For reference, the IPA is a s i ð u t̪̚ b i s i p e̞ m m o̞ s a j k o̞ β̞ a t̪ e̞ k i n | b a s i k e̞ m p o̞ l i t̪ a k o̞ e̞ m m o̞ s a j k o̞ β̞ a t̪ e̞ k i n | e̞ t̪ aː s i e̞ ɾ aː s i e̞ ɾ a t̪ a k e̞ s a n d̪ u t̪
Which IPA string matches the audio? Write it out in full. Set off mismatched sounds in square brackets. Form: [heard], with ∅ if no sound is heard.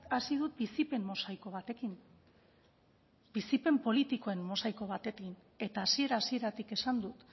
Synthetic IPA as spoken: a s i ð u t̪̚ b i s i p e̞ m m o̞ s a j k o̞ β̞ a t̪ e̞ k i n | b [i] s i [p] e̞ m p o̞ l i t̪ [i] k o̞ e̞ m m o̞ s a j k o̞ β̞ a t̪ e̞ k i n | e̞ t̪ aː s i e̞ ɾ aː s i e̞ ɾ a t̪ [i] k e̞ s a n d̪ u t̪